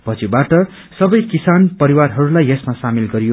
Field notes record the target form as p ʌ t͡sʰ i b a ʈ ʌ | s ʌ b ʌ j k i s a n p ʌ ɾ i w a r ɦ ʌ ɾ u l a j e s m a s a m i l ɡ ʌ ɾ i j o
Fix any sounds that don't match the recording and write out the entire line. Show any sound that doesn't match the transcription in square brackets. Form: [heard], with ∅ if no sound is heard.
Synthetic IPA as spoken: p ʌ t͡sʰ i b a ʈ ʌ | s ʌ b ʌ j k i s a n p ʌ ɾ i w a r ɦ ʌ ɾ u l a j e s m a s a m i l ɡ ʌ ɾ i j o